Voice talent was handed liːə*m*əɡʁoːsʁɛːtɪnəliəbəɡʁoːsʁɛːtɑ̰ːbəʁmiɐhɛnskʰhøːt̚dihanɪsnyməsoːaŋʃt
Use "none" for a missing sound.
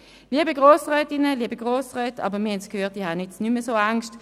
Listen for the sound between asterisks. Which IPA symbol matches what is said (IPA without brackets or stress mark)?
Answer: b